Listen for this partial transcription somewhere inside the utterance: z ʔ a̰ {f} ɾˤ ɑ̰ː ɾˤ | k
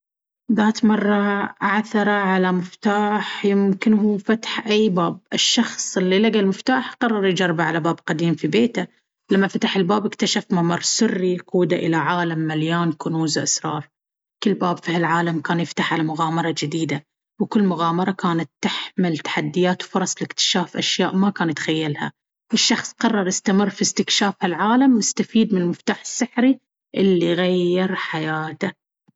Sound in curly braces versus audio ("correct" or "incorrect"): incorrect